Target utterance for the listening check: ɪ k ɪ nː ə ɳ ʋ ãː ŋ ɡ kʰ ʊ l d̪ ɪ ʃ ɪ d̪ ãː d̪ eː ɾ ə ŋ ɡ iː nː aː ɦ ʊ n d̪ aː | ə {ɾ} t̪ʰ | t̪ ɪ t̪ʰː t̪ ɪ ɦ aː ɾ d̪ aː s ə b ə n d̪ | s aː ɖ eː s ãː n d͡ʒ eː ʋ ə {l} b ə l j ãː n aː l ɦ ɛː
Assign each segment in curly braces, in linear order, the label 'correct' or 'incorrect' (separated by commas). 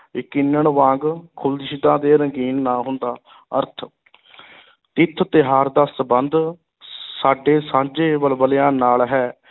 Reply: correct, correct